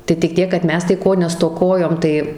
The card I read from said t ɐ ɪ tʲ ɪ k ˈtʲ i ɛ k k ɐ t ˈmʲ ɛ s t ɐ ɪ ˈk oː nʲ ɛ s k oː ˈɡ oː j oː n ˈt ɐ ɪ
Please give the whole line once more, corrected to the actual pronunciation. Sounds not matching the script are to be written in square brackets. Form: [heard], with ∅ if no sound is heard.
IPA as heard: t ɐ ɪ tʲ ɪ k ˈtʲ i ɛ k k ɐ t ˈmʲ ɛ s t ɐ ɪ ˈk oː nʲ ɛ s [t] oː [ˈk] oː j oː [m] ˈt ɐ ɪ

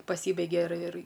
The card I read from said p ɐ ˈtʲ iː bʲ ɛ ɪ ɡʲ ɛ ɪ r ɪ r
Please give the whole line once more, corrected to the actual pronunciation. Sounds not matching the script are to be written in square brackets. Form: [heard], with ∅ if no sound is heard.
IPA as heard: p ɐ [ˈsʲ] iː bʲ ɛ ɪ ɡʲ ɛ ɪ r ɪ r

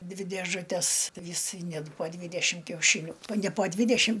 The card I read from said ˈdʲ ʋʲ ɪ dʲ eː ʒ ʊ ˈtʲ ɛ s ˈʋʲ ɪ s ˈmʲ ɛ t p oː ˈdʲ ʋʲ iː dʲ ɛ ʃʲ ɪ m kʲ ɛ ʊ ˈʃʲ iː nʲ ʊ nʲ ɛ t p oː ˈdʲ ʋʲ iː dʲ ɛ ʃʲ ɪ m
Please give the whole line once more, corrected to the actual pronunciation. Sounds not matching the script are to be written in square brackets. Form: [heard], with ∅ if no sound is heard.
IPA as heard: ˈdʲ ʋʲ ɪ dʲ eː ʒ ʊ ˈtʲ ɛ s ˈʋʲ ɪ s [ˈnʲ] ɛ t p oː ˈdʲ ʋʲ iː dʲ ɛ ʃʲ ɪ m kʲ ɛ ʊ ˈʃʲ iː nʲ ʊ nʲ ɛ [∅] p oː ˈdʲ ʋʲ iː dʲ ɛ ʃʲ ɪ m

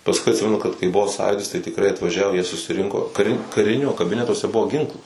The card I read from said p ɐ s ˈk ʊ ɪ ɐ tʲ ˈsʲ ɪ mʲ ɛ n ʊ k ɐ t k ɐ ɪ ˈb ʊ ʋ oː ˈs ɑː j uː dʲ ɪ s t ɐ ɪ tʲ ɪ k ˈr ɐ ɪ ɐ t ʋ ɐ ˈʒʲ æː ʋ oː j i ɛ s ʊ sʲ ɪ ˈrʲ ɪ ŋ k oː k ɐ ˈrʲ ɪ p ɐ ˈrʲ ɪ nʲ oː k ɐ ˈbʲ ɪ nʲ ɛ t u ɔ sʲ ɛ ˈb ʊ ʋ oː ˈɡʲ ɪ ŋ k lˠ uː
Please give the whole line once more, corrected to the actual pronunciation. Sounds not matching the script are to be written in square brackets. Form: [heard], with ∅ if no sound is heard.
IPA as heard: p ɐ s ˈk ʊ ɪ ɐ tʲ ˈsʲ ɪ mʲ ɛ n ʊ k ɐ t k ɐ ɪ ˈb ʊ ʋ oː ˈs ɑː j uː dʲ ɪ s t ɐ ɪ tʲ ɪ k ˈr ɐ ɪ ɐ t ʋ ɐ ˈʒʲ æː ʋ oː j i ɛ s ʊ sʲ ɪ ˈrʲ ɪ ŋ k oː k ɐ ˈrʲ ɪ [k] ɐ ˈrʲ ɪ nʲ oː k ɐ ˈbʲ ɪ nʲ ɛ t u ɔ sʲ ɛ ˈb ʊ ʋ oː ˈɡʲ ɪ ŋ k lˠ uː

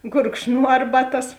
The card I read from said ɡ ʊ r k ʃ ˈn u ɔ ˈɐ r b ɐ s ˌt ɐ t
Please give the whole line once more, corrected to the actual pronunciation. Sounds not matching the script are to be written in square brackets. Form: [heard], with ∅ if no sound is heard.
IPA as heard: ɡ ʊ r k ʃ ˈn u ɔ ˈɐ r b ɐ [∅] ˌt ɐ [s]

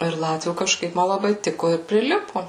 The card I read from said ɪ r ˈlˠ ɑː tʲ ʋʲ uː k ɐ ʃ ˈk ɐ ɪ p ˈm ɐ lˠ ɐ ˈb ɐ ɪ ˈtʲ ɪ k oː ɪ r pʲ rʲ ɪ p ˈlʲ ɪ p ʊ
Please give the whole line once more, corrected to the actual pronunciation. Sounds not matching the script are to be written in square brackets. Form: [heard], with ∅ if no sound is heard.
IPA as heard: ɪ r ˈlˠ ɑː tʲ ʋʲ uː k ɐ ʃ ˈk ɐ ɪ p ˈm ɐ lˠ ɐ ˈb ɐ ɪ ˈtʲ ɪ k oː ɪ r pʲ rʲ ɪ [∅] ˈlʲ ɪ p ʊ

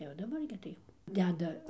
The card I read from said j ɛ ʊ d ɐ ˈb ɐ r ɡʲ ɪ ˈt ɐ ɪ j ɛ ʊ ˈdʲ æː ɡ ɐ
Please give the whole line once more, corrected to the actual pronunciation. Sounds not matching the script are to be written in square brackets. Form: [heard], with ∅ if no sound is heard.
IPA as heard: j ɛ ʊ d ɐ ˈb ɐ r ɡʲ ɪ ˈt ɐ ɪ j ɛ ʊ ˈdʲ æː [d] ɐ

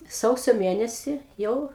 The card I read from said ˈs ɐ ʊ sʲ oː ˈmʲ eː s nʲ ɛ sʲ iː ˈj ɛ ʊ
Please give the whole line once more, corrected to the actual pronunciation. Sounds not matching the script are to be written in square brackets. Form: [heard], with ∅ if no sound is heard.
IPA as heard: ˈs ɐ ʊ sʲ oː ˈmʲ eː [∅] nʲ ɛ sʲ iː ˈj ɛ ʊ

